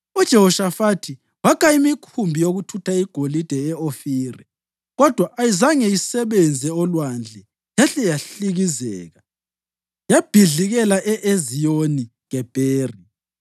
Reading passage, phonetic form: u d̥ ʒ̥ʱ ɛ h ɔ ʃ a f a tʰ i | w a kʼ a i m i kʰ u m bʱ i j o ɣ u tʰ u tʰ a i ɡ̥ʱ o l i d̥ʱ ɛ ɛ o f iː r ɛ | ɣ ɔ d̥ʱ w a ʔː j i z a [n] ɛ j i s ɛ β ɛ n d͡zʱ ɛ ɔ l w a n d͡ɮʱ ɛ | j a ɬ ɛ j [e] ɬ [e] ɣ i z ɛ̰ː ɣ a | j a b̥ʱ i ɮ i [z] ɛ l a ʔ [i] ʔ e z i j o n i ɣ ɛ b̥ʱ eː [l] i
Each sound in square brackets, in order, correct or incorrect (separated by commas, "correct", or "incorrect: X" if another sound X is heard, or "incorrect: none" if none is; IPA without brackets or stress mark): incorrect: ŋ, incorrect: a, incorrect: i, incorrect: ɣ, incorrect: ɛ, incorrect: r